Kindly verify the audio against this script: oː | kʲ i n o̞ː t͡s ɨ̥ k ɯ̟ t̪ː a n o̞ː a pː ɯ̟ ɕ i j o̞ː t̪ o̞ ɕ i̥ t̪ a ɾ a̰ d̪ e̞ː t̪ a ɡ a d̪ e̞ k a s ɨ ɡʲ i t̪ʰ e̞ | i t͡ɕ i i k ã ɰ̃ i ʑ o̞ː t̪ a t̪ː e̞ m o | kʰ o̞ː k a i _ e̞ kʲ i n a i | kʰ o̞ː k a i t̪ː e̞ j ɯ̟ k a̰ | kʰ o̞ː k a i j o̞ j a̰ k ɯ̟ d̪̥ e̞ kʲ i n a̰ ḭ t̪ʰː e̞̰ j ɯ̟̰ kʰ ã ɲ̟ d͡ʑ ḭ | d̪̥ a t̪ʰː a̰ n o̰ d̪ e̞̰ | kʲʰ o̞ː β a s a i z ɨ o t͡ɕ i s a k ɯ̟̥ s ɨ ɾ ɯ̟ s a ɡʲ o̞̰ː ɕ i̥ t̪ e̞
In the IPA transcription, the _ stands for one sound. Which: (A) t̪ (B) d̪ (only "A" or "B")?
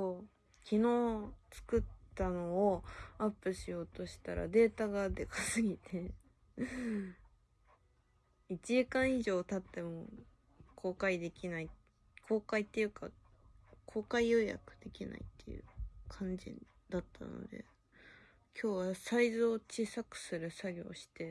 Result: B